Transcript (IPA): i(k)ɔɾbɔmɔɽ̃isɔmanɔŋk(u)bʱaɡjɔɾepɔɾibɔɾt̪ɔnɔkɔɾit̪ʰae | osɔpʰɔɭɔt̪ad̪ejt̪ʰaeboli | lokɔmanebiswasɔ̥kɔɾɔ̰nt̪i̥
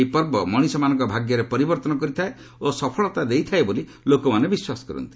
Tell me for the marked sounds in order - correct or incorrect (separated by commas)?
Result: incorrect, incorrect